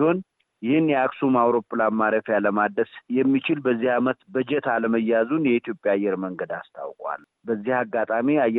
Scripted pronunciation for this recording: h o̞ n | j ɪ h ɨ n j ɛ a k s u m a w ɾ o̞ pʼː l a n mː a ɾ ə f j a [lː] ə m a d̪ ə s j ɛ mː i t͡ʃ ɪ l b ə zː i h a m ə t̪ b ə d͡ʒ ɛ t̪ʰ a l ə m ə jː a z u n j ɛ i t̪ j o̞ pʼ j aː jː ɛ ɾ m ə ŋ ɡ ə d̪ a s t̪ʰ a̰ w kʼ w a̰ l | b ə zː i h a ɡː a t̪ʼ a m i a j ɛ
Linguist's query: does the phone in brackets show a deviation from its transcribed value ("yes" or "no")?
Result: yes